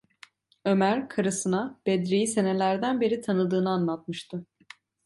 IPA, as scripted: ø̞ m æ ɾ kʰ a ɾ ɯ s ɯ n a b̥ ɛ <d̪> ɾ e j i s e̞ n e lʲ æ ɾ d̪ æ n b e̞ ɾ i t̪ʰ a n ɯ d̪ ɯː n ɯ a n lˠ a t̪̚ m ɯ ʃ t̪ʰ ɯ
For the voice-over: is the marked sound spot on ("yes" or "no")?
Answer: yes